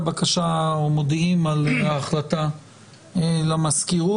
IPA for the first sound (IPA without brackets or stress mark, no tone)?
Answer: b